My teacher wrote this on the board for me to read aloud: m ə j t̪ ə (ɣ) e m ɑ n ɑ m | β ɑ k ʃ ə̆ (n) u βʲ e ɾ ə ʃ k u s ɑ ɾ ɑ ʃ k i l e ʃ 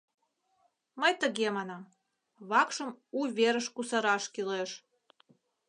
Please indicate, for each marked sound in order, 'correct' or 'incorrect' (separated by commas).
correct, incorrect